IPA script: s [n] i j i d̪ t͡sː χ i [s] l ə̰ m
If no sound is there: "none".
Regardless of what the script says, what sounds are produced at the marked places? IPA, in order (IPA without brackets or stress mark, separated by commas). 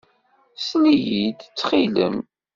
n, none